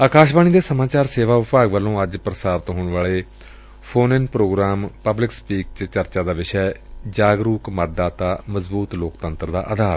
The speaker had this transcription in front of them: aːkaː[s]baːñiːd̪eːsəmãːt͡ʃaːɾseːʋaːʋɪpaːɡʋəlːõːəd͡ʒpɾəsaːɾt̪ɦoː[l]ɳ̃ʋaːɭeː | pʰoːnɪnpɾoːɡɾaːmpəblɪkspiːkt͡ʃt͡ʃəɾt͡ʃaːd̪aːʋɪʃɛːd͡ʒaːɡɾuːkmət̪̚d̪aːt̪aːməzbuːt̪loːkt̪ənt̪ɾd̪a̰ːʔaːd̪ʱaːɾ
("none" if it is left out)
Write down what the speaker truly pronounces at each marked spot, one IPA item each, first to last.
ʃ, none

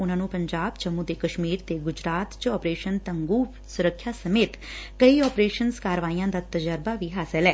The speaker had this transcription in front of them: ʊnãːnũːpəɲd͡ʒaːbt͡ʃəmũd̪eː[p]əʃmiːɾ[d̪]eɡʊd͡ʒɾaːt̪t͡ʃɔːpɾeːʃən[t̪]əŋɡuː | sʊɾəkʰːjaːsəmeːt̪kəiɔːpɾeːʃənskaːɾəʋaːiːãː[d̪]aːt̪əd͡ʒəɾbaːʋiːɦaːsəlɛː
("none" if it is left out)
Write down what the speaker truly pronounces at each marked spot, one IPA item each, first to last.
k, t̪, t̪, d̪

